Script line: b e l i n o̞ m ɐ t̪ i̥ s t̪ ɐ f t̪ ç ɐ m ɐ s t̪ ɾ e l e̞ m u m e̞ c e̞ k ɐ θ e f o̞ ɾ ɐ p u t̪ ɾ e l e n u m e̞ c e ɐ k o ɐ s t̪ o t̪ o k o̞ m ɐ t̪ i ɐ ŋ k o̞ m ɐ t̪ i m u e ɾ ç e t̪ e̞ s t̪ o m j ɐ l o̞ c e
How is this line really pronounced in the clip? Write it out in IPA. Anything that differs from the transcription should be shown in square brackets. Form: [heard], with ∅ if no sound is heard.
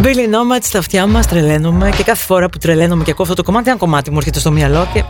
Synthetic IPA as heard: b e l i n o̞ m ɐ t̪ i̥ s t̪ ɐ f t̪ ç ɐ m ɐ s t̪ ɾ e l e̞ [n] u m e̞ c e̞ k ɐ θ e f o̞ ɾ ɐ p u t̪ ɾ e l e n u m e̞ c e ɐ k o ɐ [f] t̪ o t̪ o k o̞ m ɐ t̪ i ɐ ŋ k o̞ m ɐ t̪ i m u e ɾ ç e t̪ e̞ s t̪ o m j ɐ l o̞ c e